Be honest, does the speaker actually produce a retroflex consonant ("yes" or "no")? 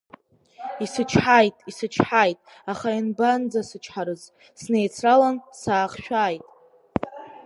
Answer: no